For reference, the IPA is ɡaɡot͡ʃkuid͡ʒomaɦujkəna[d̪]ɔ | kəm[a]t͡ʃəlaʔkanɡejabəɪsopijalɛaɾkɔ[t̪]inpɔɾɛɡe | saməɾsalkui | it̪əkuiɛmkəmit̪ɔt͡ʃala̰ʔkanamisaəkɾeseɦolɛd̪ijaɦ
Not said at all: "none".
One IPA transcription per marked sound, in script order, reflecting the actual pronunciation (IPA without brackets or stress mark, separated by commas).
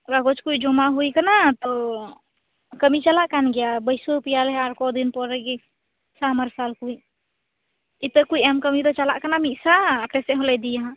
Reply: t̪, i, d̪